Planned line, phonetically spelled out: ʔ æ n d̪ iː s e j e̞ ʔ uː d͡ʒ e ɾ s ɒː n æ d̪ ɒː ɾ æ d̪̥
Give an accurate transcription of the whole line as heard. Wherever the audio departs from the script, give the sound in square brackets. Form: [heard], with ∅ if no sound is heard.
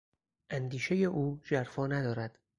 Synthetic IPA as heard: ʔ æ n d̪ iː [ʃ] e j e̞ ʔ uː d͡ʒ [æ] ɾ [f] ɒː n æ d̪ ɒː ɾ æ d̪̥